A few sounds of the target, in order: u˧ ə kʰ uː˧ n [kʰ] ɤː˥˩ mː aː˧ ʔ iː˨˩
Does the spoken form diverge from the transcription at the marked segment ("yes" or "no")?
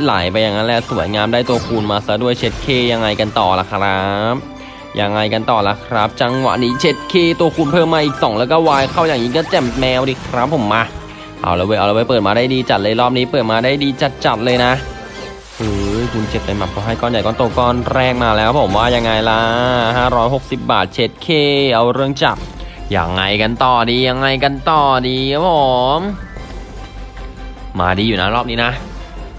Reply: yes